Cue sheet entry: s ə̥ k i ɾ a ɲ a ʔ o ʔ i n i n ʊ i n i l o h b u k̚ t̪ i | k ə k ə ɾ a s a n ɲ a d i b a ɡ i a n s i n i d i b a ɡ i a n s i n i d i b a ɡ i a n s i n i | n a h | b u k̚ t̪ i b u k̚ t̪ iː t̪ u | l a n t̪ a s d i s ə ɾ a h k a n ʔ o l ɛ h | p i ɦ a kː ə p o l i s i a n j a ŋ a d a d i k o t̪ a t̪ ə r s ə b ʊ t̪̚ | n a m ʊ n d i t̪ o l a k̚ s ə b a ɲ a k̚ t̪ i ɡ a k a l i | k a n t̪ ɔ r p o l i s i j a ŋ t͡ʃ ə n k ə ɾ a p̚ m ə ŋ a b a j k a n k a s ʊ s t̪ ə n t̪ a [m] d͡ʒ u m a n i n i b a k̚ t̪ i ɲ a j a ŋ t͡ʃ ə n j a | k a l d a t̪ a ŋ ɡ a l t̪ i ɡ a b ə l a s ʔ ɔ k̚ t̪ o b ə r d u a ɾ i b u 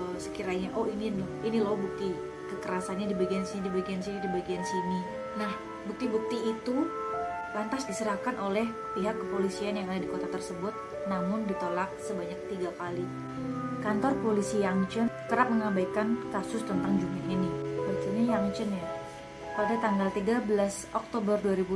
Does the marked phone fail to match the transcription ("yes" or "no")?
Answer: yes